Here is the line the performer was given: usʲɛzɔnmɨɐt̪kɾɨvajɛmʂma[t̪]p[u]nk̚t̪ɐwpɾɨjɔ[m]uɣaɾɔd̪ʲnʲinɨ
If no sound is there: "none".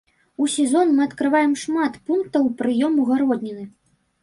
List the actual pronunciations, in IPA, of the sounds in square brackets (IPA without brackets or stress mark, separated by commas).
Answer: t̪, u, m